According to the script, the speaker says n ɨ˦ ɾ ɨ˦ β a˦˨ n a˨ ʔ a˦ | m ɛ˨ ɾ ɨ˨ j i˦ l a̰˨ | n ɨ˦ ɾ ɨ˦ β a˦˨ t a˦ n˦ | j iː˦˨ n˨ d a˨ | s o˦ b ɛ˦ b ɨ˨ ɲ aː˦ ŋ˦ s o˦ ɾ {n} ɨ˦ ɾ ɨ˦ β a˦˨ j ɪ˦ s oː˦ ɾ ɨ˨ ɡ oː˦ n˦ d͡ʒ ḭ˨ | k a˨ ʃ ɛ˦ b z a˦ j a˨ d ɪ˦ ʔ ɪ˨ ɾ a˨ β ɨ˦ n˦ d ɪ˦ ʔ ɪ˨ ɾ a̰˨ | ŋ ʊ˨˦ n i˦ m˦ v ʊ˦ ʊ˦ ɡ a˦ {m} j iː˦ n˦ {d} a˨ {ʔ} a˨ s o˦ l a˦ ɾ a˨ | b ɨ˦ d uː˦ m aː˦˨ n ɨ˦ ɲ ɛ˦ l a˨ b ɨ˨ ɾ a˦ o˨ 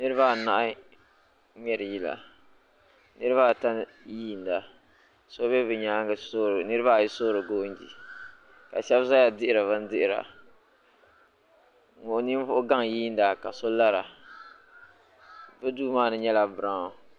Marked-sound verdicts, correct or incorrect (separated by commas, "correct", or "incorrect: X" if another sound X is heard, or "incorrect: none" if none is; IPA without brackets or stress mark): correct, incorrect: ŋ, correct, incorrect: k